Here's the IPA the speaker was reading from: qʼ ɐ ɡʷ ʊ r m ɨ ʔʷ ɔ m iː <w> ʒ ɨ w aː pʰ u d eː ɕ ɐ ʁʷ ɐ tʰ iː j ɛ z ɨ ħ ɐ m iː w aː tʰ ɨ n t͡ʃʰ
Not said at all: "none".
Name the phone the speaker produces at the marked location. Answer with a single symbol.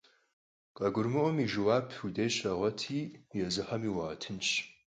none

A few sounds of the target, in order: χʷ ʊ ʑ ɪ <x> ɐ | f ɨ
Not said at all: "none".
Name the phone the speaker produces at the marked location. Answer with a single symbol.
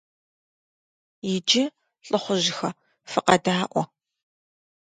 x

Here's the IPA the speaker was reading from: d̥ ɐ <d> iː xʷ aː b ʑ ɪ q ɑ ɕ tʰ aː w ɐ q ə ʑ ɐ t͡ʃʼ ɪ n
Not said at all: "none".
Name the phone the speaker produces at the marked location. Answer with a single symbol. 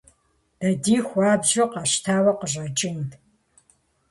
d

